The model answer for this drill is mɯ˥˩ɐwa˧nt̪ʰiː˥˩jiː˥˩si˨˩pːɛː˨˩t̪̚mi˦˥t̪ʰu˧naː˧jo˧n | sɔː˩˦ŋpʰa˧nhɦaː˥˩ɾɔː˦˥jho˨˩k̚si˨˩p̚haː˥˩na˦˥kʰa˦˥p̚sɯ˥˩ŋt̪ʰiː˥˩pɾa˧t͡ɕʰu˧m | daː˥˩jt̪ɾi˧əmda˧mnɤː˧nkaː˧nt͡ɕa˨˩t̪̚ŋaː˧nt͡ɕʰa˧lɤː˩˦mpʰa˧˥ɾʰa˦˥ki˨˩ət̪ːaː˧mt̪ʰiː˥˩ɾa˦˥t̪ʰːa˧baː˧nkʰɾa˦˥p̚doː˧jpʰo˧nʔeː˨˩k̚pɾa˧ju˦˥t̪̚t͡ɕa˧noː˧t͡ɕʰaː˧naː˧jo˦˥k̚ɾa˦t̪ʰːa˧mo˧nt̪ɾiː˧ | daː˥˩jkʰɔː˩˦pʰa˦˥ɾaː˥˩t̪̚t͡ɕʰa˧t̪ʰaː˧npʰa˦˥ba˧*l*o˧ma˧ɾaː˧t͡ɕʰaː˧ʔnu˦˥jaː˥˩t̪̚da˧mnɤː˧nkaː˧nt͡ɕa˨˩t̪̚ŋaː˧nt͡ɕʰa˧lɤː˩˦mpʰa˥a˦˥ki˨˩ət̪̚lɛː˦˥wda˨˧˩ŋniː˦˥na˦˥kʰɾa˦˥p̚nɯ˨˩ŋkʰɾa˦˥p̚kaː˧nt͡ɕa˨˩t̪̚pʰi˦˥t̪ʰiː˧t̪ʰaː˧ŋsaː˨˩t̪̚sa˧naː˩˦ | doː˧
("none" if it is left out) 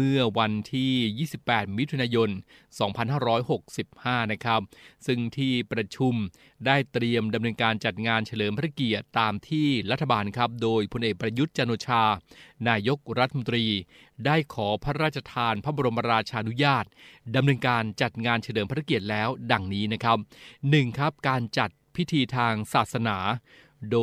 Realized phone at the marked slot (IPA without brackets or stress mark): ɾ